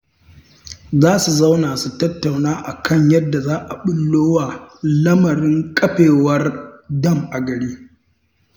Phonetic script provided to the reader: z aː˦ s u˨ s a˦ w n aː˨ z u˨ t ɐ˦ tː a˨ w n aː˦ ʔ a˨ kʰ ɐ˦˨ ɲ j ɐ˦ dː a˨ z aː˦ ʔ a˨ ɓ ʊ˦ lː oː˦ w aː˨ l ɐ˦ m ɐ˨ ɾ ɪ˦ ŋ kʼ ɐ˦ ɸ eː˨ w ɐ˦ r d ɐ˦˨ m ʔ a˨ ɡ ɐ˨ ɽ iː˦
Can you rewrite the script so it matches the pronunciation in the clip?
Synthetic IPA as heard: z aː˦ s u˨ z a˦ w n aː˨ s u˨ t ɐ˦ tː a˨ w n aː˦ ʔ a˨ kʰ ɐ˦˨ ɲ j ɐ˦ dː a˨ z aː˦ ʔ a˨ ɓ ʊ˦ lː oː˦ w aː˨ l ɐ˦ m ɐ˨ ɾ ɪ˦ ŋ kʼ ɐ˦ ɸ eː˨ w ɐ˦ r d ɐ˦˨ m ʔ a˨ ɡ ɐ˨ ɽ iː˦